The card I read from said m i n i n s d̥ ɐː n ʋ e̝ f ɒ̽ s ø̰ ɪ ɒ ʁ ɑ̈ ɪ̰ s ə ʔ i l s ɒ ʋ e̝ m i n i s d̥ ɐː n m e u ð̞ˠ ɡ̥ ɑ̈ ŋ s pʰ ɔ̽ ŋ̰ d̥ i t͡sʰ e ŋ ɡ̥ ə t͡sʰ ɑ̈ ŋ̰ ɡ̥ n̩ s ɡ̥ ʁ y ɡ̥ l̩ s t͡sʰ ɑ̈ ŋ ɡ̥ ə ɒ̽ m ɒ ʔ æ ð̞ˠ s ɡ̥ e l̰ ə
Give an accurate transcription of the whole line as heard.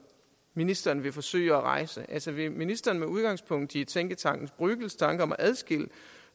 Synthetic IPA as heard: m i n i s d̥ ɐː n ʋ e̝ f ɒ̽ s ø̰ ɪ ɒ ʁ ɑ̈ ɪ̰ s ə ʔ æ l s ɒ ʋ e̝ m i n i s d̥ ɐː n m e u ð̞ˠ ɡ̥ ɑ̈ ŋ s pʰ ɔ̽ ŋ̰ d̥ i t͡sʰ e ŋ ɡ̥ ə t͡sʰ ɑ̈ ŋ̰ ɡ̥ n̩ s b̥ ʁ y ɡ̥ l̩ s t͡sʰ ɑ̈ ŋ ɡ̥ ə ɒ̽ m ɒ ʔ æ ð̞ˠ s ɡ̥ e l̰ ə

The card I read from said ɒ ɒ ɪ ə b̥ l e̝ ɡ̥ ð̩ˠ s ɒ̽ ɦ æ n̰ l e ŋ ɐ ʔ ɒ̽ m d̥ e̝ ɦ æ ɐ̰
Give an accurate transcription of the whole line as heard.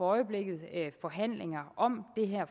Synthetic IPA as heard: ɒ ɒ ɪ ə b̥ l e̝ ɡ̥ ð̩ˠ f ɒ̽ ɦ æ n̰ l e ŋ ɐ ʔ ɒ̽ m d̥ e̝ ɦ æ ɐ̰

